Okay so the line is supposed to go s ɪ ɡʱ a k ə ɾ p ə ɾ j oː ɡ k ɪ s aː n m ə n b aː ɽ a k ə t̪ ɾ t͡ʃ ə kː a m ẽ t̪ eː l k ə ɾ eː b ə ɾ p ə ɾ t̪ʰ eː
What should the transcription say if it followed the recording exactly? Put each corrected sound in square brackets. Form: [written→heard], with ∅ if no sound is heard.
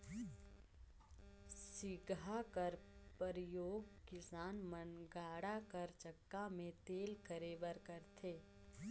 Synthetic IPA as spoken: s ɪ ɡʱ a k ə ɾ p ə ɾ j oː ɡ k ɪ s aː n m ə n [b→ɡ] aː ɽ a k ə [t̪→∅] ɾ t͡ʃ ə kː a m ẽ t̪ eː l k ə ɾ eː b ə ɾ [p→k] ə ɾ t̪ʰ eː